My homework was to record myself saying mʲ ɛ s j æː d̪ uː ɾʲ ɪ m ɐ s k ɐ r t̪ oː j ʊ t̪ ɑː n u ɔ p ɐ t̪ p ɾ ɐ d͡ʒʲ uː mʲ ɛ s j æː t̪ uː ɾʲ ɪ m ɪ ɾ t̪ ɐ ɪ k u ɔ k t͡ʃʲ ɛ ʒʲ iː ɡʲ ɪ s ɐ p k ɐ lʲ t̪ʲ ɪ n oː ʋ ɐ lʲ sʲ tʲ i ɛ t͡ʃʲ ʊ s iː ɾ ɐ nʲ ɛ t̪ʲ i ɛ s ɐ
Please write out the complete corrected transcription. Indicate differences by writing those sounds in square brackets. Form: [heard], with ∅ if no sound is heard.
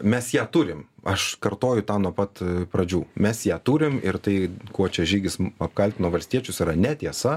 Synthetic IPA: mʲ ɛ s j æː [t̪] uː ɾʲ ɪ m ɐ [ʃ] k ɐ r t̪ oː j ʊ t̪ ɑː n u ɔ p ɐ t̪ p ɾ ɐ d͡ʒʲ uː mʲ ɛ s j æː t̪ uː ɾʲ ɪ m ɪ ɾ t̪ ɐ ɪ k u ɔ [∅] t͡ʃʲ ɛ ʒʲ iː ɡʲ ɪ s ɐ p k ɐ lʲ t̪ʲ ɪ n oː ʋ ɐ lʲ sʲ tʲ i ɛ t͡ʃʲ ʊ s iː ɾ ɐ nʲ ɛ t̪ʲ i ɛ s ɐ